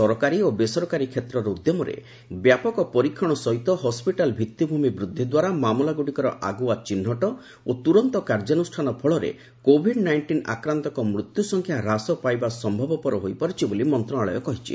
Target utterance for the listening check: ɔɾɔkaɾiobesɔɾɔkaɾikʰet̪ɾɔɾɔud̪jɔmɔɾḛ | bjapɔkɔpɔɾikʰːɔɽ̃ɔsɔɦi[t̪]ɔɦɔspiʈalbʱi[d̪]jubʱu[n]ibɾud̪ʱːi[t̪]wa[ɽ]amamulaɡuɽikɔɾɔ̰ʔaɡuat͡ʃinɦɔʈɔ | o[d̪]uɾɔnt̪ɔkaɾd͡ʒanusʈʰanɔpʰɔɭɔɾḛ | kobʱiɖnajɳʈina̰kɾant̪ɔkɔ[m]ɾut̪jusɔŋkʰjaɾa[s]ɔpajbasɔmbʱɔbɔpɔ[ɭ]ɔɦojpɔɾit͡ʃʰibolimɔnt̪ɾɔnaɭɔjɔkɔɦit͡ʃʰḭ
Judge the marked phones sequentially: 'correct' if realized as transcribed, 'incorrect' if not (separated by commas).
correct, incorrect, incorrect, incorrect, incorrect, incorrect, correct, correct, incorrect